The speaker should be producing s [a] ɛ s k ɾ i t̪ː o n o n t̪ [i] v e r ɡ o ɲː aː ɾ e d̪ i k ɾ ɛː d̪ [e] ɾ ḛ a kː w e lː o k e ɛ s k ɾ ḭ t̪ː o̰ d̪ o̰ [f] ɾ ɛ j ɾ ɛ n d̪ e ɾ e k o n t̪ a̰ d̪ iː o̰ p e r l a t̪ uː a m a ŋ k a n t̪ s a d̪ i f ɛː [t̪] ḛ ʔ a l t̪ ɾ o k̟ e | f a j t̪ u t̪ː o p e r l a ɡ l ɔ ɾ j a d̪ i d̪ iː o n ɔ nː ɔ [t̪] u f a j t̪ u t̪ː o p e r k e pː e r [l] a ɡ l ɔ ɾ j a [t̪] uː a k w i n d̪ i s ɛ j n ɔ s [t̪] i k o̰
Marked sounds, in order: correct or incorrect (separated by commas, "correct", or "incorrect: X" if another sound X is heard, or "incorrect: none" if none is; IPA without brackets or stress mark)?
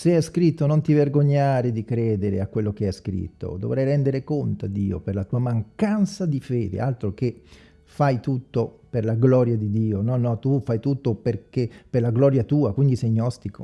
incorrect: e, correct, correct, incorrect: v, incorrect: d̪, correct, correct, correct, correct